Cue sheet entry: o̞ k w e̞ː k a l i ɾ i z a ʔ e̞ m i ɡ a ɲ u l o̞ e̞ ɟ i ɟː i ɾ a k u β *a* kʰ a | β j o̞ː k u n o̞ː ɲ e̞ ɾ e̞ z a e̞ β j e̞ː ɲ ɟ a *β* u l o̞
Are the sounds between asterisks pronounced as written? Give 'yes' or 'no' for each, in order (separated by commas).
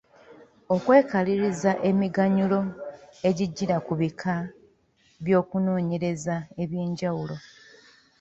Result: no, no